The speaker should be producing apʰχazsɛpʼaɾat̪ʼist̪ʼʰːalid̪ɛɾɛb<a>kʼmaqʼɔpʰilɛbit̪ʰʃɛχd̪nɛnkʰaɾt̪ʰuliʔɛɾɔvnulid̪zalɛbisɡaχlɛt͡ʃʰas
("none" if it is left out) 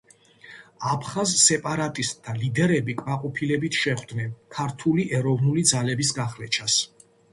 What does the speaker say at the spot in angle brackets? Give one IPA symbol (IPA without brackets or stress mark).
i